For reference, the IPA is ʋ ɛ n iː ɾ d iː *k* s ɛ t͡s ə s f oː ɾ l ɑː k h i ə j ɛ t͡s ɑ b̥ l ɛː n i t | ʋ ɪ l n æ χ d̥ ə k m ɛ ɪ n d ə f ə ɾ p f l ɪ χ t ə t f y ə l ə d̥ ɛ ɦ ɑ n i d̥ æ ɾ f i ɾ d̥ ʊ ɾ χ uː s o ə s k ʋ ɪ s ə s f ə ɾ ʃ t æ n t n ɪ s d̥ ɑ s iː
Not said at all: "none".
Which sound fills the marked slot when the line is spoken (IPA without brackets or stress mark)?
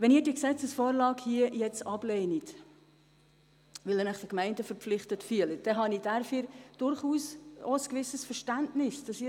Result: k